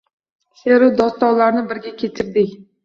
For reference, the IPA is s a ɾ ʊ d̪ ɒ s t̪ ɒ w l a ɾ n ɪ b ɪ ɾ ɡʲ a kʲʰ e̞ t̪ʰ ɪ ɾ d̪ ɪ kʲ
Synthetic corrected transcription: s e ɾ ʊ d̪ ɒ s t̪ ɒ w l a ɾ n ɪ b ɪ ɾ ɡʲ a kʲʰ e̞ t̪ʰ ɪ ɾ d̪ ɪ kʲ